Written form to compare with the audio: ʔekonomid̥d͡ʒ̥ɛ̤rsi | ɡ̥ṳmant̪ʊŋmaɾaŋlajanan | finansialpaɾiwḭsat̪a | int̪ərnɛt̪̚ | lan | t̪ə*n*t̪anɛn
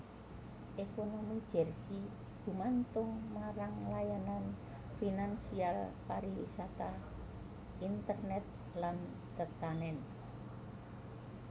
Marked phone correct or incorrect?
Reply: incorrect: none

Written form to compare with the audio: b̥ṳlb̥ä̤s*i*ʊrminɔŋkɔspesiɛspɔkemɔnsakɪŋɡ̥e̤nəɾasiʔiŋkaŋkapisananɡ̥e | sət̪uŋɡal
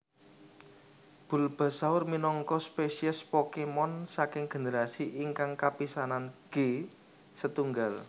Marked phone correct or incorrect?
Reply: incorrect: a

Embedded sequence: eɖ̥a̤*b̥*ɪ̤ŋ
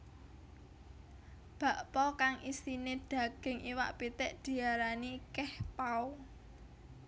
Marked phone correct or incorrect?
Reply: incorrect: ɡ̥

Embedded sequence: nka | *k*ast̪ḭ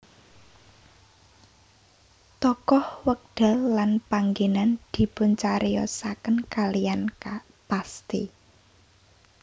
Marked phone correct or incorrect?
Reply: incorrect: p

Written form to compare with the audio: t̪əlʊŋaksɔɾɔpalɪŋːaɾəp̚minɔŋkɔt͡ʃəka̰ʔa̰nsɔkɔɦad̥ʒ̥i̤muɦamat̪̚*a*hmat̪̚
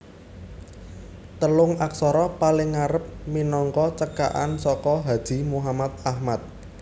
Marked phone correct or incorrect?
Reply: correct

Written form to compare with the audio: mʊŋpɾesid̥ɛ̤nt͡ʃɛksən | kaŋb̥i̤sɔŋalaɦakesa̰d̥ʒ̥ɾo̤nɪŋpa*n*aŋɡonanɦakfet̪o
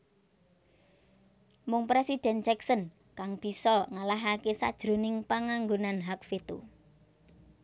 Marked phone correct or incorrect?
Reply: incorrect: ŋ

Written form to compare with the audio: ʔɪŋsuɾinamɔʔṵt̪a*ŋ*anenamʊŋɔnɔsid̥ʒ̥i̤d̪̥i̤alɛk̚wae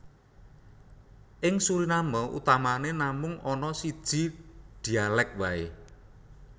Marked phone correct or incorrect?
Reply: incorrect: m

